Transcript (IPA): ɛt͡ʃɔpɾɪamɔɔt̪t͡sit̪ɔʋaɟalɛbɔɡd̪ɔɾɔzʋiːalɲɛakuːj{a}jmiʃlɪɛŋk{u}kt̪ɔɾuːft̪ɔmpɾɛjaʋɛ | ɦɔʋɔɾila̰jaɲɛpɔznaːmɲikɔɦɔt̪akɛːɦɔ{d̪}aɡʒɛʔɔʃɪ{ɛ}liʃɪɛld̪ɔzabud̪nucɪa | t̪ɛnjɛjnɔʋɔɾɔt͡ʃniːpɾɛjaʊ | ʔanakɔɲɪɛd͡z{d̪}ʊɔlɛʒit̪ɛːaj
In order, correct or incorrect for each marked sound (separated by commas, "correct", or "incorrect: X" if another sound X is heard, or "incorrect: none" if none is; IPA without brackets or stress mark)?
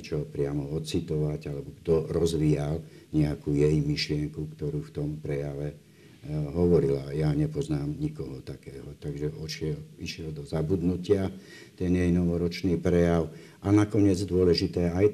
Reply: incorrect: ɛ, correct, incorrect: t̪, correct, correct